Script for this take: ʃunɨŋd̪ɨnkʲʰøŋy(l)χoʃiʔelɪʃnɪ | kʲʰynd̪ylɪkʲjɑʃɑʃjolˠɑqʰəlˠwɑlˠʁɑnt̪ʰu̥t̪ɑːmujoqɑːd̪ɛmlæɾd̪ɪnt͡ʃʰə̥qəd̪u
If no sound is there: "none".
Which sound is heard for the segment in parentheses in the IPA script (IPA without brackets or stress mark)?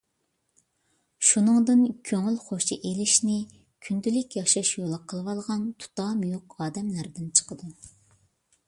l